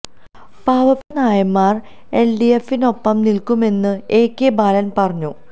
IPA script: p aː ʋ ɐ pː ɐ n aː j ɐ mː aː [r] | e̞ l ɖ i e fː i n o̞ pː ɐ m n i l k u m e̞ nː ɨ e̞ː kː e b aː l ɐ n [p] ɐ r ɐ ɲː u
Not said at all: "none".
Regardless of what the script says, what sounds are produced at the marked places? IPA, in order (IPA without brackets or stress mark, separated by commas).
r, p